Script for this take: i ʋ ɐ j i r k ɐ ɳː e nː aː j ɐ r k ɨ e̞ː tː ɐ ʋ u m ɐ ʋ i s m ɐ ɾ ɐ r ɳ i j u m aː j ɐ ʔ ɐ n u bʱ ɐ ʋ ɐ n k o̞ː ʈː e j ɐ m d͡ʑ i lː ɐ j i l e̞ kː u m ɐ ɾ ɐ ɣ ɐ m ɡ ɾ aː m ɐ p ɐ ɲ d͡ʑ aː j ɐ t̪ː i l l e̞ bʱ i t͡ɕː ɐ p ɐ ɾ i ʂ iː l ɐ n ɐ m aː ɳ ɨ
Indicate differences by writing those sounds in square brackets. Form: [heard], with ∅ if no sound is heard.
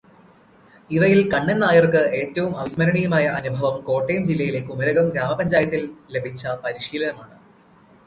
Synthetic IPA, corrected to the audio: i ʋ ɐ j i [l] k ɐ ɳː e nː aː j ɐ r k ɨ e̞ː tː ɐ ʋ u m ɐ ʋ i s m ɐ ɾ ɐ [∅] ɳ i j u m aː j ɐ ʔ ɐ n u bʱ ɐ ʋ ɐ [m] k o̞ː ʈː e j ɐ m d͡ʑ i lː ɐ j i l e̞ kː u m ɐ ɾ ɐ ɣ ɐ m ɡ ɾ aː m ɐ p ɐ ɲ d͡ʑ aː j ɐ t̪ː i l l e̞ bʱ i t͡ɕː ɐ p ɐ ɾ i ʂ iː l ɐ n ɐ m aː ɳ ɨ